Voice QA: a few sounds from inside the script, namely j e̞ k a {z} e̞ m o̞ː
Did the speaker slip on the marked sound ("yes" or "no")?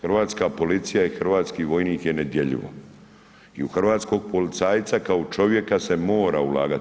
yes